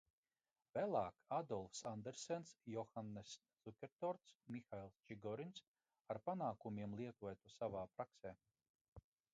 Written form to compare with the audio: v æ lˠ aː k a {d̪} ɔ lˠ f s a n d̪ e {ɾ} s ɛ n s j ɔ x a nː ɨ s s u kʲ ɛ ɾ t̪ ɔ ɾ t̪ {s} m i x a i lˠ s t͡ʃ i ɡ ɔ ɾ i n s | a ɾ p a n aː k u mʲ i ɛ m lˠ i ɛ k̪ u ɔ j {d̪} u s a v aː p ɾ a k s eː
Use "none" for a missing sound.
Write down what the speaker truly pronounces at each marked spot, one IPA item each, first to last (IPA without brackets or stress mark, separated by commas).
d̪, ɾ, s, t̪